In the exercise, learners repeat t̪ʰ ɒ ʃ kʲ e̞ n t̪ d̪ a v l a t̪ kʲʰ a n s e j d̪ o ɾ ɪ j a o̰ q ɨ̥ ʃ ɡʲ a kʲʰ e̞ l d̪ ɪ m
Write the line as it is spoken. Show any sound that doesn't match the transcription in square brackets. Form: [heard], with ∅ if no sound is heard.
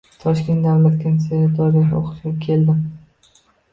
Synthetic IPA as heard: t̪ʰ ɒ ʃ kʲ e̞ n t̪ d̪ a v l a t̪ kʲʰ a n s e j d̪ [ɒ] ɾ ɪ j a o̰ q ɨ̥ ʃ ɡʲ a kʲʰ e̞ l d̪ ɪ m

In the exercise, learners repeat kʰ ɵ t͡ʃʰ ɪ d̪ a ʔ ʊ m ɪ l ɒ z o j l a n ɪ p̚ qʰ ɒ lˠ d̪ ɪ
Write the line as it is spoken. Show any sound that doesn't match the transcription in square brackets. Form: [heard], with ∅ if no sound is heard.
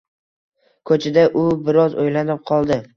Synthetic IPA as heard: kʰ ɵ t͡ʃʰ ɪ d̪ a ʔ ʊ [b] ɪ [ɾ] ɒ z o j l a n ɪ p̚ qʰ ɒ lˠ d̪ ɪ

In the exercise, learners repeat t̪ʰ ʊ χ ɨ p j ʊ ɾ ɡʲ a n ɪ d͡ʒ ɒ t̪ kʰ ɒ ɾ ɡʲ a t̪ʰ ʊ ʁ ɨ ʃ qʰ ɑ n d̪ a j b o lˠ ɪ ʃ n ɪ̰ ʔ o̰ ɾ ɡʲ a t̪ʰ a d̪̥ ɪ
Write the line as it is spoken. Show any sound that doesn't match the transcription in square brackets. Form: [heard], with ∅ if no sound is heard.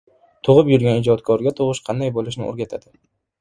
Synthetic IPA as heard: t̪ʰ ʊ [ʁ] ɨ p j ʊ ɾ ɡʲ a n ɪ d͡ʒ ɒ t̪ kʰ ɒ ɾ ɡʲ a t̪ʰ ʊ ʁ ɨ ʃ qʰ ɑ n d̪ a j b o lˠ ɪ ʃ n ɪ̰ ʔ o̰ ɾ ɡʲ a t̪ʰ a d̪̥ ɪ

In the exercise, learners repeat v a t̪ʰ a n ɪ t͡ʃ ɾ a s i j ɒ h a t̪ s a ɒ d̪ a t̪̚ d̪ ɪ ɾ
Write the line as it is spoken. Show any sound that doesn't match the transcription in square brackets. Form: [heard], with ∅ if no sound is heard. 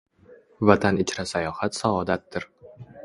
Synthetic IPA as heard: v a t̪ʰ a n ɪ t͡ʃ ɾ a s [a] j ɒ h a t̪ s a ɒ d̪ a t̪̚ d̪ ɪ ɾ

